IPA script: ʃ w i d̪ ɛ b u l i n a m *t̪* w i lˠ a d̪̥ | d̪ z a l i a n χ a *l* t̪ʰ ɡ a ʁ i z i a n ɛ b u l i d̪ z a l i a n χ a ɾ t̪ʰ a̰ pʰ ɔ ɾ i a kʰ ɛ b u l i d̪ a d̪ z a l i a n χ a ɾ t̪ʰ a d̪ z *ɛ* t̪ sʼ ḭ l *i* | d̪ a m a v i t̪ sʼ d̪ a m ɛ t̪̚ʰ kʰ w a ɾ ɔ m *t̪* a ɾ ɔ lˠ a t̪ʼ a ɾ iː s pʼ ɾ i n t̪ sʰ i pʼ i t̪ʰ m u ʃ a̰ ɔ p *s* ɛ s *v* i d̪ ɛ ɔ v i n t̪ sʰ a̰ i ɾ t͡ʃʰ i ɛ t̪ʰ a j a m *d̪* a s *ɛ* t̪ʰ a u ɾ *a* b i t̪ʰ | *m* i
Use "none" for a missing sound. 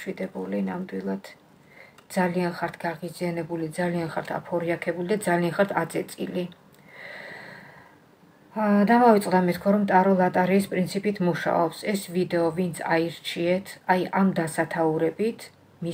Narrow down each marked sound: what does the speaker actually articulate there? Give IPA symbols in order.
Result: d̪, ɾ, ɛ, i, t̪ʼ, s, v, d̪, a, ɛ, m

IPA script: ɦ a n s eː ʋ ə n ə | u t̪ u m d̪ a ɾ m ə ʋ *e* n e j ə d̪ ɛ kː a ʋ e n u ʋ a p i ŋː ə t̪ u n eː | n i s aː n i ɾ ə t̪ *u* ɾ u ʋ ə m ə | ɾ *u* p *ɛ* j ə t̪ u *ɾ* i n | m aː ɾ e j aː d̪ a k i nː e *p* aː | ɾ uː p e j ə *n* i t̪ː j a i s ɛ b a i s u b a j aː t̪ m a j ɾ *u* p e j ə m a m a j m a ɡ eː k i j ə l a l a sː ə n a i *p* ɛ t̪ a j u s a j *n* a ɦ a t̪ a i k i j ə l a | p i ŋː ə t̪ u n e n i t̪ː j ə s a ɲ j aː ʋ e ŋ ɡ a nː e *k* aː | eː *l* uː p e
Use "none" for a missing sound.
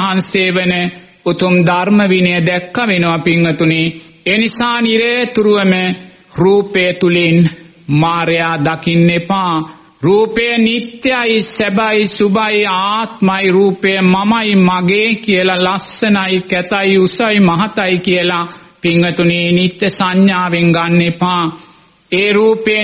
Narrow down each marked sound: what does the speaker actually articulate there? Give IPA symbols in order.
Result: i, u, uː, e, l, p, n, uː, k, m, p, ɾ

